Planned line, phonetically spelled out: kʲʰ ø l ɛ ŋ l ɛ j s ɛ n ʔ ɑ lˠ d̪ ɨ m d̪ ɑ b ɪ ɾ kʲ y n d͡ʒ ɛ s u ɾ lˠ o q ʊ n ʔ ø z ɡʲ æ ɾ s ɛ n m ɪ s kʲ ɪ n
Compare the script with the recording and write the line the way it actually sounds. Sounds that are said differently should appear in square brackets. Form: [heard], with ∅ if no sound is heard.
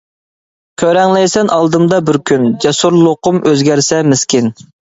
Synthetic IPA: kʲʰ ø [ɾ] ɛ ŋ l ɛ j s ɛ n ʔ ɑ lˠ d̪ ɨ m d̪ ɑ b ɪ ɾ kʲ y n d͡ʒ ɛ s u ɾ lˠ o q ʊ [m] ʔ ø z ɡʲ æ ɾ s ɛ [∅] m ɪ s kʲ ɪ n